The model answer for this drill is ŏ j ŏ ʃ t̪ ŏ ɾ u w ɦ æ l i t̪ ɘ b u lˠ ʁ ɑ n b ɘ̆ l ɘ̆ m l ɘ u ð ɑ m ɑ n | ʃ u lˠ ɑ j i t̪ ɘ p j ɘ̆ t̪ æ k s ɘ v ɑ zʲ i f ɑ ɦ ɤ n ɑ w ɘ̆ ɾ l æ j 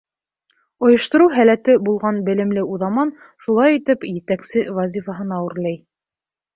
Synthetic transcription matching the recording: ŏ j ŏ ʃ t̪ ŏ ɾ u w ɦ æ l æ t̪ ɘ b u lˠ ʁ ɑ n b ɘ̆ l ɘ̆ m l ɘ u ð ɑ m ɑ n | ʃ u lˠ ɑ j i t̪ ɘ p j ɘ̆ t̪ æ k s ɘ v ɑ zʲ i f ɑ ɦ ɤ n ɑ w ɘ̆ ɾ l æ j

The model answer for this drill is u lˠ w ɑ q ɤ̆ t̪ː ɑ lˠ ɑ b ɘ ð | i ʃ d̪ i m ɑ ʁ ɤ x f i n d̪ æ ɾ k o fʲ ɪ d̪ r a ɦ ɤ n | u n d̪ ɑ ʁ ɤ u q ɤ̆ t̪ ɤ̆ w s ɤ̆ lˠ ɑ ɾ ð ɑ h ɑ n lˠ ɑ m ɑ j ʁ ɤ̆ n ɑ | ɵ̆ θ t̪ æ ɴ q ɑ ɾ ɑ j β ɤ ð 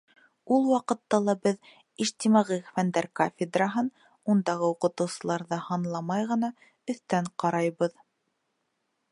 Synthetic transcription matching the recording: u lˠ w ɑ q ɤ̆ t̪ː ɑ lˠ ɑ b ɘ ð | i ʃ t̪ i m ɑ ʁ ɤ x f æ n d̪ æ ɾ k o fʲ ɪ d̪ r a ɦ ɤ n | u n d̪ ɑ ʁ ɤ u q ɤ̆ t̪ ɤ̆ w s ɤ̆ lˠ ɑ ɾ ð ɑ h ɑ n lˠ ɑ m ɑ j ʁ ɤ̆ n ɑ | ɵ̆ θ t̪ æ ɴ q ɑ ɾ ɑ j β ɤ ð

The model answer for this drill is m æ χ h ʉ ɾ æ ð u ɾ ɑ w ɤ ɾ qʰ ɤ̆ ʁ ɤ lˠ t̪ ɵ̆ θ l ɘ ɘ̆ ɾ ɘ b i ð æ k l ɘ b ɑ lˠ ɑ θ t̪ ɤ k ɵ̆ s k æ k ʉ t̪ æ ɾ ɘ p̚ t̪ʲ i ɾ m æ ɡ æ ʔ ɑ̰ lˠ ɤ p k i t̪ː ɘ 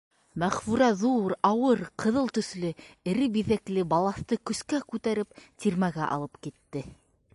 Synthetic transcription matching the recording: m æ χ f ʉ ɾ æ ð u ɾ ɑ w ɤ ɾ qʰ ɤ̆ ð ɤ lˠ t̪ ɵ̆ θ l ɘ ɘ̆ ɾ ɘ b i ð æ k l ɘ b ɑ lˠ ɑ θ t̪ ɤ k ɵ̆ s k æ k ʉ t̪ æ ɾ ɘ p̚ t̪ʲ i ɾ m æ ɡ æ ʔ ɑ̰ lˠ ɤ p k i t̪ː ɘ

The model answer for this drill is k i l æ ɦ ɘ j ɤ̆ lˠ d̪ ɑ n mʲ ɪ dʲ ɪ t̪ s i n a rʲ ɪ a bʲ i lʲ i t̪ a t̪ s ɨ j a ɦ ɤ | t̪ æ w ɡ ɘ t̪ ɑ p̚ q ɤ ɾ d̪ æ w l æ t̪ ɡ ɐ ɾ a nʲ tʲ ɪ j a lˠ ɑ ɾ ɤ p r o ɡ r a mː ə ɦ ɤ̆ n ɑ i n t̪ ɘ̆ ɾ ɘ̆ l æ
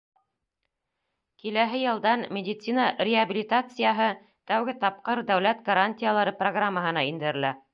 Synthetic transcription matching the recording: k i l æ ɦ ɘ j ɤ̆ lˠ d̪ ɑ n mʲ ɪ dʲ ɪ t̪ s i n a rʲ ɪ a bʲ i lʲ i t̪ a t̪ s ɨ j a ɦ ɤ | t̪ æ w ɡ ɘ t̪ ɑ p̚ q ɤ ɾ d̪ æ w l æ t̪ ɡ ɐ ɾ a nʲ tʲ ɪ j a lˠ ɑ ɾ ɤ p r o ɡ r a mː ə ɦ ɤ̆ n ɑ i n d̪ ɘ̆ ɾ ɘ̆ l æ

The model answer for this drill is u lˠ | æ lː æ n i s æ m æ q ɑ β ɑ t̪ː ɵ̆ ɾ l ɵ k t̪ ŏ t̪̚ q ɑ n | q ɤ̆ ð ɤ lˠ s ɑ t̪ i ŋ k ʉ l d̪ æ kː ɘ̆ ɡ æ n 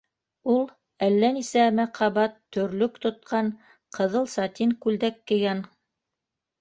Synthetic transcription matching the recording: u lˠ | æ lː æ n i s æ m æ q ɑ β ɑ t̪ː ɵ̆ ɾ l ɵ k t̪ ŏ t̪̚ q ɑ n | q ɤ̆ ð ɤ lˠ s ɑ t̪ i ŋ k ʉ l d̪ æ kː ɘ̆ ɡ æ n

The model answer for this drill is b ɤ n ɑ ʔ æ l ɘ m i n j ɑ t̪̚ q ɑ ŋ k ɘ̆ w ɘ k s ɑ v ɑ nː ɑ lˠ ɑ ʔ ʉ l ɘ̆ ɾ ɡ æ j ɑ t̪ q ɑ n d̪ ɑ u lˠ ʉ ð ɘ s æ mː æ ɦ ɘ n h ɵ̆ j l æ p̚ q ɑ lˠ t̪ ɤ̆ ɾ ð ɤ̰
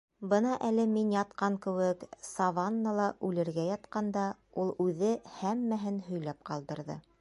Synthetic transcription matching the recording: b ɤ n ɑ ʔ æ l ɘ m i n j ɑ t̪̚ q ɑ ŋ k ɘ̆ w ɘ k s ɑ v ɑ nː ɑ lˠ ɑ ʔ ʉ l ɘ̆ ɾ ɡ æ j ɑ t̪ q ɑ n d̪ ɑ u lˠ ʉ ð ɘ h æ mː æ ɦ ɘ n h ɵ̆ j l æ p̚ q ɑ lˠ d̪ ɤ̆ ɾ ð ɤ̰

